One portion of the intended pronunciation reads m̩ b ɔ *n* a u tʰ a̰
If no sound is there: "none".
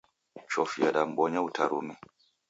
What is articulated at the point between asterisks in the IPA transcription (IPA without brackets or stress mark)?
ɲ